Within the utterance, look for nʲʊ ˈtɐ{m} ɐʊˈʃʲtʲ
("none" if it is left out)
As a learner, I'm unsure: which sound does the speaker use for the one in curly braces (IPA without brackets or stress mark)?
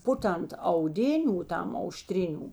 m